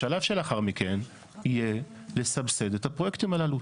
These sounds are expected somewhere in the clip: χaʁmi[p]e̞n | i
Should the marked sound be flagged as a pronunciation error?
yes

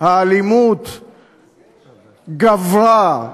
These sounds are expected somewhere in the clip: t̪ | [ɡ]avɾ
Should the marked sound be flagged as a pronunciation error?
no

